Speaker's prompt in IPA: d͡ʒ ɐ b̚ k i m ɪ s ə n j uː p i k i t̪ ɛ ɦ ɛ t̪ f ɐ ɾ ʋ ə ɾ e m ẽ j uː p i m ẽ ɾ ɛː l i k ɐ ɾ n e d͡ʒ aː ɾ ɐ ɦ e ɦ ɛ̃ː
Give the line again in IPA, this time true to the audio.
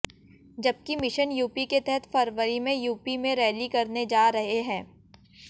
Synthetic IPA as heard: d͡ʒ ɐ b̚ k i m ɪ ʃ ə n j uː p i k e t̪ ɛ ɦ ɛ t̪ f ɐ ɾ ʋ ə ɾ i m ẽ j uː p i m ẽ ɾ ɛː l i k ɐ ɾ n e d͡ʒ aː ɾ ɐ ɦ e ɦ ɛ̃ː